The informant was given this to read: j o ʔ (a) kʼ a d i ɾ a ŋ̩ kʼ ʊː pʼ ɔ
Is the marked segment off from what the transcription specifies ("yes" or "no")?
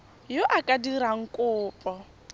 no